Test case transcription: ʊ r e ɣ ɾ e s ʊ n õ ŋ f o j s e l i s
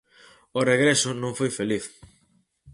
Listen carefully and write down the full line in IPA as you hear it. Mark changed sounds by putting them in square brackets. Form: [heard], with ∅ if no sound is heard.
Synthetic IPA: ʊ r e ɣ ɾ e s ʊ n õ ŋ f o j [f] e l i [θ]